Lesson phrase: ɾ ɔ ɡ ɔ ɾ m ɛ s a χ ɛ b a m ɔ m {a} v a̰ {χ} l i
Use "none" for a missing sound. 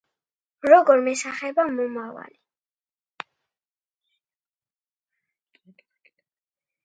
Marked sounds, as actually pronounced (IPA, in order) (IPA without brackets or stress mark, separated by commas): a, none